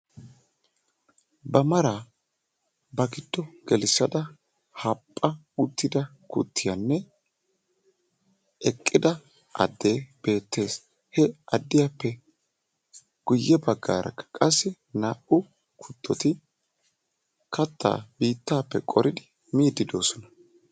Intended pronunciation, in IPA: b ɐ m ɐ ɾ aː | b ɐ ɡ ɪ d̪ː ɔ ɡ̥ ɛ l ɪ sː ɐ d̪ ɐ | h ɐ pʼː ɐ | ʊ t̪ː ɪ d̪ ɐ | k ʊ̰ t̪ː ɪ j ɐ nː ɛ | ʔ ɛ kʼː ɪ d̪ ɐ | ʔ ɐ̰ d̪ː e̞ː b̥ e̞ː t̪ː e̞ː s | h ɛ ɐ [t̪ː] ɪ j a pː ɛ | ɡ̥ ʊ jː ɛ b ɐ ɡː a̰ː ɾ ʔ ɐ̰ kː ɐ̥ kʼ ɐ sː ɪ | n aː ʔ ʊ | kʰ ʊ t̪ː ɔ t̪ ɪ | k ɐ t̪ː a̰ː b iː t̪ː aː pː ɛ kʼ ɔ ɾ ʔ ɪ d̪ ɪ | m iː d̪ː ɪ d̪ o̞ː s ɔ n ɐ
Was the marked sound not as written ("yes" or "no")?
yes